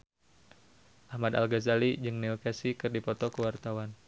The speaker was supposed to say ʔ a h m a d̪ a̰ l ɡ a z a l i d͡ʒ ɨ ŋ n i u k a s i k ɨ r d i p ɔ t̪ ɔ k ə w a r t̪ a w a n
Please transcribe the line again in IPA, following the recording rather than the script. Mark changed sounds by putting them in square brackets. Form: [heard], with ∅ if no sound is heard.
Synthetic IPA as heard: ʔ a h m a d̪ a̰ l ɡ a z a l i d͡ʒ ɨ ŋ n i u k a s i k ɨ r d i p ɔ t̪ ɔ k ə w a r t̪ a w a n